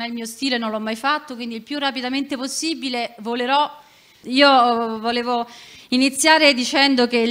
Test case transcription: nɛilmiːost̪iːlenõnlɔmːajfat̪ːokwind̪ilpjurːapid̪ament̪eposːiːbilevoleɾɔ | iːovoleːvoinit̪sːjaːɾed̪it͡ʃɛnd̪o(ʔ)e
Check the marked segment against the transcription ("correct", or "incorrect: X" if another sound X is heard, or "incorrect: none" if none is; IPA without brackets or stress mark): incorrect: k